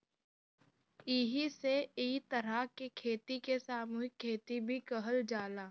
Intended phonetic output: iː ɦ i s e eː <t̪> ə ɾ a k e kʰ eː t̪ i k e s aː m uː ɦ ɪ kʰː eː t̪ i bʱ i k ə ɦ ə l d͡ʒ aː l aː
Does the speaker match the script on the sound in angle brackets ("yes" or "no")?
yes